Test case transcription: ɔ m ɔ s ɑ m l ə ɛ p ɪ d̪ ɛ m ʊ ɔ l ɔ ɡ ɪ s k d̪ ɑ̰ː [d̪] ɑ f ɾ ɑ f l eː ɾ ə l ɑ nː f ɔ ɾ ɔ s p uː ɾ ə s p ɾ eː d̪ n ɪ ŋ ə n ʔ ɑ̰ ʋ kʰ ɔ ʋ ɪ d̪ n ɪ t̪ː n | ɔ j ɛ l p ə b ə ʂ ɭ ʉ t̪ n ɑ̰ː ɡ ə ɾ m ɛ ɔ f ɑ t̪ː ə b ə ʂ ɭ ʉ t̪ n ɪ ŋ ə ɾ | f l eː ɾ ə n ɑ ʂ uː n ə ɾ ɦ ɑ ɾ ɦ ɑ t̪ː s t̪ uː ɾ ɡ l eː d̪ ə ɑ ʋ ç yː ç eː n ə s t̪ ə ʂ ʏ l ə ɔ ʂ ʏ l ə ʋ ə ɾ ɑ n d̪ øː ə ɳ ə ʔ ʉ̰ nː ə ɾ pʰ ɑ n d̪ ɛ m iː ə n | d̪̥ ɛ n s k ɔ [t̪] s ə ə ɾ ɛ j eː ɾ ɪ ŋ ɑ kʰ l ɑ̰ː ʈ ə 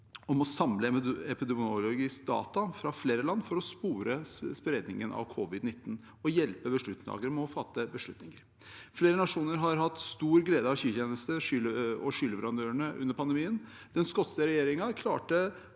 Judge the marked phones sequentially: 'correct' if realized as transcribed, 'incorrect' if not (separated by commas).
incorrect, correct